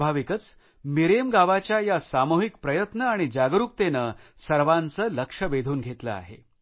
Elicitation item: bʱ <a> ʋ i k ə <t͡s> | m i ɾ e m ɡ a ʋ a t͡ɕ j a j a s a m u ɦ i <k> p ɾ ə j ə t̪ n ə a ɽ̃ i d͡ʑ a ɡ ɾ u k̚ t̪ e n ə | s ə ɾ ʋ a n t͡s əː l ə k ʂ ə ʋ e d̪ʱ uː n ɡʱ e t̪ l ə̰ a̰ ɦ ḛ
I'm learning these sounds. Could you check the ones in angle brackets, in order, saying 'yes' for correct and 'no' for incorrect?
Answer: yes, yes, yes

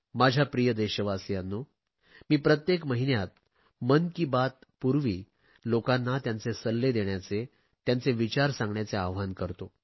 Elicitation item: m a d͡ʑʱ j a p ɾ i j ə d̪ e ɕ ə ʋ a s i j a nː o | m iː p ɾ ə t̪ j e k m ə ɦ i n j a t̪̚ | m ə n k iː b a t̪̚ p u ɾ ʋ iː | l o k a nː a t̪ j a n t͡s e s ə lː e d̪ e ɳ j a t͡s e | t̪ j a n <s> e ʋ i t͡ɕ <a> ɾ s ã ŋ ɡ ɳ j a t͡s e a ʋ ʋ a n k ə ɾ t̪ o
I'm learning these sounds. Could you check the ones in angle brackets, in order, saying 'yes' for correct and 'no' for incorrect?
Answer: no, yes

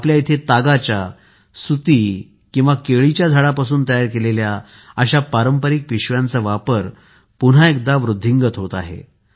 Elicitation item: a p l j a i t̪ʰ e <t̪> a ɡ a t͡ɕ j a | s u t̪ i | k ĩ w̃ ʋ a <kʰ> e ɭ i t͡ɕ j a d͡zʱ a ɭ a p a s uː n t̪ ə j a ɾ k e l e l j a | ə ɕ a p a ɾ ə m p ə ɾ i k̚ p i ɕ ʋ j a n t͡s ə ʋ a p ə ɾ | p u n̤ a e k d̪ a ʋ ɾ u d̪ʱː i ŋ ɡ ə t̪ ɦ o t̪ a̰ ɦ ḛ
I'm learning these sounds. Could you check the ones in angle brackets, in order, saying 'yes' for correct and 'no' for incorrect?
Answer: yes, no

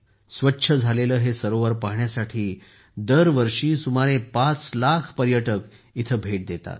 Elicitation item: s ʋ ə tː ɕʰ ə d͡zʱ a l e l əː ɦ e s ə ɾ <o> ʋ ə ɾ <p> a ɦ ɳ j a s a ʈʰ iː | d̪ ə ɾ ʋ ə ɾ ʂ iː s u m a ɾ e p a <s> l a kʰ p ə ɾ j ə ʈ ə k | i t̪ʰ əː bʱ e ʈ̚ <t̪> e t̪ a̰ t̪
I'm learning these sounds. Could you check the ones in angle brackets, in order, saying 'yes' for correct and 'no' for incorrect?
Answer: yes, yes, no, no

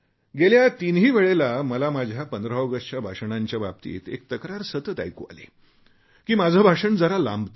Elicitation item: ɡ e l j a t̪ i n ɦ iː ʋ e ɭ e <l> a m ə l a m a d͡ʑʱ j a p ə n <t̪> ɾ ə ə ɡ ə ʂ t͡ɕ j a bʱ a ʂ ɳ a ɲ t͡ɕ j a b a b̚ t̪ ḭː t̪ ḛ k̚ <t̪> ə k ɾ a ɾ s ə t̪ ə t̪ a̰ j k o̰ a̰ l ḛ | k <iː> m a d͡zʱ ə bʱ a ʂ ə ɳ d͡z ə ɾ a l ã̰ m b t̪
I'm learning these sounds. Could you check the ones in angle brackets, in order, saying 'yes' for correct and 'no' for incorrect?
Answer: yes, no, yes, yes

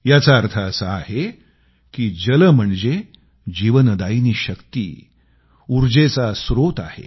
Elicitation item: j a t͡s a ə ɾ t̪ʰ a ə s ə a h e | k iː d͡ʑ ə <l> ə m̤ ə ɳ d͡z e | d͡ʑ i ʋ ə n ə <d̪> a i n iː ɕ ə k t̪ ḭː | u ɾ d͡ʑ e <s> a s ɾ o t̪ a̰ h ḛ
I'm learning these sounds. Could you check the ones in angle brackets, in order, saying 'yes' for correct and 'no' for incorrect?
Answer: yes, yes, no

